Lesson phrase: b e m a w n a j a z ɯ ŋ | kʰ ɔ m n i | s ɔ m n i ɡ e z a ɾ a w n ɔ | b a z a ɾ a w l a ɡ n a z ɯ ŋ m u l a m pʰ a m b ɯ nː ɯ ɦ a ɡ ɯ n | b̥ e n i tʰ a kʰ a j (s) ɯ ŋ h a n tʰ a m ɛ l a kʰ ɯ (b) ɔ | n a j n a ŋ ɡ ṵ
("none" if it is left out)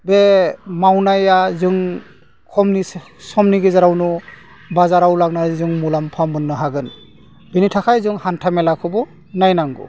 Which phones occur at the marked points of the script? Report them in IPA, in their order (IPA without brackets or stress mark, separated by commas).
z, b